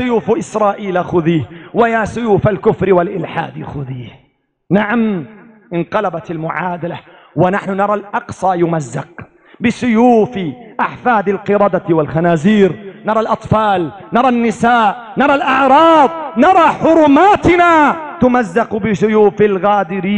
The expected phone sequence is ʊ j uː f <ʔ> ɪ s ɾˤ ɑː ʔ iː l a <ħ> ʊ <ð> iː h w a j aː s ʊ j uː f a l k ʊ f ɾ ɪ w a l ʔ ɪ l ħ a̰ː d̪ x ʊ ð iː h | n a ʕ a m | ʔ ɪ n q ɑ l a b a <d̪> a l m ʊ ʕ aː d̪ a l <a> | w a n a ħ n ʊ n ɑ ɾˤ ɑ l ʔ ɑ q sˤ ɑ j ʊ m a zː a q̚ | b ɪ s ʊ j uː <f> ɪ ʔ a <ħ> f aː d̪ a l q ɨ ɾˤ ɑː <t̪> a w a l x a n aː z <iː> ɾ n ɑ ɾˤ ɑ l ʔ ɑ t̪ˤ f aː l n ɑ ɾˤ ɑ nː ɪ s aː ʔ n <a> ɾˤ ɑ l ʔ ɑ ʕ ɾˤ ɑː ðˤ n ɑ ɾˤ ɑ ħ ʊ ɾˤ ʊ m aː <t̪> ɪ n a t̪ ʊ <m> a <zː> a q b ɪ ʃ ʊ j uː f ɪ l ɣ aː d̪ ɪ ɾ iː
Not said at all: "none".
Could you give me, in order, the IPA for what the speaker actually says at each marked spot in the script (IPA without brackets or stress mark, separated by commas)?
ʔ, x, ð, t̪, a, f, ħ, d̪, iː, ɑ, t̪, m, zː